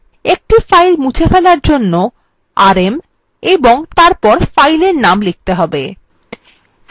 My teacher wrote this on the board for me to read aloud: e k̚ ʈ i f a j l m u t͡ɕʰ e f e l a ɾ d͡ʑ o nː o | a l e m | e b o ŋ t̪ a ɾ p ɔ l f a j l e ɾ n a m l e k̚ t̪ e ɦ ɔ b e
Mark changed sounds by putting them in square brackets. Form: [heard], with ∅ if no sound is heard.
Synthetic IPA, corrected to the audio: e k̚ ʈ i f a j l m u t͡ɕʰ e f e l a ɾ d͡ʑ o nː o | a [ɾ] e m | e b o ŋ t̪ a ɾ p ɔ [ɾ] f a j l e ɾ n a m l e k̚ t̪ e ɦ ɔ b e